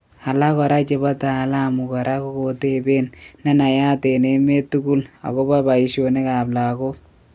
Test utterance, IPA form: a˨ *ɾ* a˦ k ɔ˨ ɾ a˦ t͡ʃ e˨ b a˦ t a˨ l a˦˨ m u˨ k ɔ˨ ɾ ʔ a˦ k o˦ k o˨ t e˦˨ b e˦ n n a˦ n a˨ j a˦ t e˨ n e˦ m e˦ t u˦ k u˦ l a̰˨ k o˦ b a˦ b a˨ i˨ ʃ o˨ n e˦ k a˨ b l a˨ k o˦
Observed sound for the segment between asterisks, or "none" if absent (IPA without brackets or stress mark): l